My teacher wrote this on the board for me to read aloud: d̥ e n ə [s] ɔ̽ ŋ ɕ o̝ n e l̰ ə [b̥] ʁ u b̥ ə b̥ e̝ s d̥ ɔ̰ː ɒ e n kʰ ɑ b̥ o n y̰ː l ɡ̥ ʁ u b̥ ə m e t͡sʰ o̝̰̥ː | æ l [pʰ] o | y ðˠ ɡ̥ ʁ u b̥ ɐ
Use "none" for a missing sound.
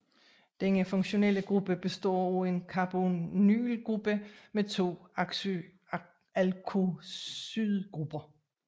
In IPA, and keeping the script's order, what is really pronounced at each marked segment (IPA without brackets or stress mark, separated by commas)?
f, ɡ̥, kʰ